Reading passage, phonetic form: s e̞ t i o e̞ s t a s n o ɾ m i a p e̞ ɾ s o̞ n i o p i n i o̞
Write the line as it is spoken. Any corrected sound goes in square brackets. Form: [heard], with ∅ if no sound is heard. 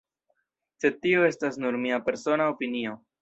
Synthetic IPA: s e̞ t i o e̞ s t a s n [u] ɾ m i a p e̞ ɾ s o̞ n [a] o p i n i o̞

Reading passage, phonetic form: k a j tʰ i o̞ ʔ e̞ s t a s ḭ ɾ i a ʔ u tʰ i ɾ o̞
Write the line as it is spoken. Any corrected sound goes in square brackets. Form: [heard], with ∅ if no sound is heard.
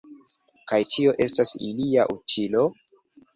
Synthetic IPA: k a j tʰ i o̞ ʔ e̞ s t a s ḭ [l] i a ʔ u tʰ i [l] o̞

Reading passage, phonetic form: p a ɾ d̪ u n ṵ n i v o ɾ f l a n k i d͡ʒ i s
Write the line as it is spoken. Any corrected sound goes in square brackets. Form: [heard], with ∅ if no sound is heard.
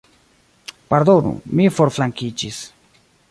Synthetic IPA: p a ɾ d̪ [o] n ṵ [m] i [f] o ɾ f l a [ŋ] k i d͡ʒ i s

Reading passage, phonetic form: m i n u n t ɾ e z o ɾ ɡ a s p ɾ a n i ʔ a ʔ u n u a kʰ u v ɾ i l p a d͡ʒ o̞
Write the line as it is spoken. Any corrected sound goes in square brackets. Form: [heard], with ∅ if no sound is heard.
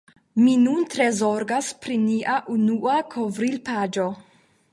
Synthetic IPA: m i n u n t ɾ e z o ɾ ɡ a s p ɾ [i] n i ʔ a ʔ u n u a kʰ [o] v ɾ i l p a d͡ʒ o̞

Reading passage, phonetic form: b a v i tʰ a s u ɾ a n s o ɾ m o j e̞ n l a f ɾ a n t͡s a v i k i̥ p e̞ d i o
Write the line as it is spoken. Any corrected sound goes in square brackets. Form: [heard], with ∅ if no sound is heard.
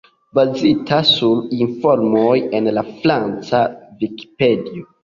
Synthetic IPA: b a [z] i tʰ a s u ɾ [i] n [f] o ɾ m o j e̞ n l a f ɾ a n t͡s a v i k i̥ p e̞ d i o

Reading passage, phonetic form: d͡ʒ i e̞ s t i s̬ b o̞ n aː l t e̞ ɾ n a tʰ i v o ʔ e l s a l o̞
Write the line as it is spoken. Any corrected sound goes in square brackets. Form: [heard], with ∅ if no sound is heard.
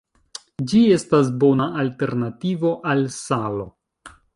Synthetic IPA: d͡ʒ i e̞ s t [a] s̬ b o̞ n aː l t e̞ ɾ n a [t] i v o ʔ [a] l s a l o̞

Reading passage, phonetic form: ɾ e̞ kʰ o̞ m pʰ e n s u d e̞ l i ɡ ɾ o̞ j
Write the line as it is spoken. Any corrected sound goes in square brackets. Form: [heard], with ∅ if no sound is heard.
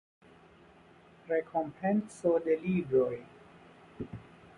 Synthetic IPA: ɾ e̞ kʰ o̞ m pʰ e n s [o] d e̞ l i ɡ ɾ o̞ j

